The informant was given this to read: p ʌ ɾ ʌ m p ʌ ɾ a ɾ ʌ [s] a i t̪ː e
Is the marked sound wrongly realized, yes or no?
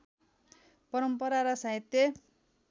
no